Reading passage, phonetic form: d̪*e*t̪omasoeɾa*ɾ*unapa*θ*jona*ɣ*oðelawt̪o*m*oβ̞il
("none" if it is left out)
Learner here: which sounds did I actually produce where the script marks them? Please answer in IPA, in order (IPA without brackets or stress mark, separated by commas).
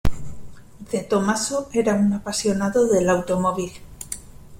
e, none, s, ð, m